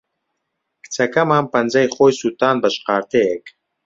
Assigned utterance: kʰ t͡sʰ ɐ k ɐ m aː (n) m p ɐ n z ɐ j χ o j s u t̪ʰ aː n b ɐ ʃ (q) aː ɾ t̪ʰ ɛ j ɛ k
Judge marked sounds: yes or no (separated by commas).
no, yes